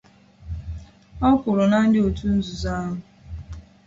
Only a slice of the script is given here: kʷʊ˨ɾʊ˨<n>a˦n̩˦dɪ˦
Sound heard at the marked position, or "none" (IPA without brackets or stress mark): n